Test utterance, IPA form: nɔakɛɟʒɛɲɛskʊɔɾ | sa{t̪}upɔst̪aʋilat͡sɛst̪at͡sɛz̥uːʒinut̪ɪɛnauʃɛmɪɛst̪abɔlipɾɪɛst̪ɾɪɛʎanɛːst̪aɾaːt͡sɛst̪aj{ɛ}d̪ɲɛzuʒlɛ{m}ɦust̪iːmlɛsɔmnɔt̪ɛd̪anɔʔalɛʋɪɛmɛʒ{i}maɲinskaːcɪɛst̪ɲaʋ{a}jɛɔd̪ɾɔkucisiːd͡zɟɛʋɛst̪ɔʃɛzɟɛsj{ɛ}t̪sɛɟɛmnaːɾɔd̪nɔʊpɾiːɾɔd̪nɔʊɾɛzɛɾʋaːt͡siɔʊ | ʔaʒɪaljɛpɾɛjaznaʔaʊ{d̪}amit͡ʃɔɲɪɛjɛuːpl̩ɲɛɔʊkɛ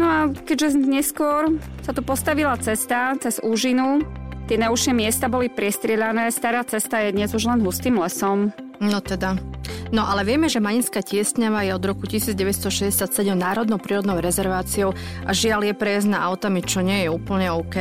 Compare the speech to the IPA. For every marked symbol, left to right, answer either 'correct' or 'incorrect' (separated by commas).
correct, correct, incorrect, incorrect, correct, incorrect, incorrect